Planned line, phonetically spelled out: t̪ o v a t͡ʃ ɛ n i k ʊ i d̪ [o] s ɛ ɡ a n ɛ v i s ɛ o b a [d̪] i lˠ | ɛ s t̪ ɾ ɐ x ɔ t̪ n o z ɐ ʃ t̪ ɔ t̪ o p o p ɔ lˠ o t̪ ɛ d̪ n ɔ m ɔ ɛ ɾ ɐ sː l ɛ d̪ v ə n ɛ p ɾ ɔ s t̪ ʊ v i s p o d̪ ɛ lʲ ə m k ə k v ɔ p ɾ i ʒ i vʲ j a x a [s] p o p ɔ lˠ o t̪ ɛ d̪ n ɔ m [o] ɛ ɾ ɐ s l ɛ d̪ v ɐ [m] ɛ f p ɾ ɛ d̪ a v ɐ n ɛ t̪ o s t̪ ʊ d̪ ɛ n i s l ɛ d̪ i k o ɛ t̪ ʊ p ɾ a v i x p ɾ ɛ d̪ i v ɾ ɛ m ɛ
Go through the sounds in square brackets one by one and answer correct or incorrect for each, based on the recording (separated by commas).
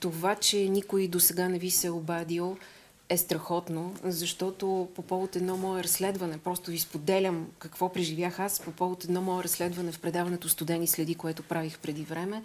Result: correct, correct, correct, incorrect, incorrect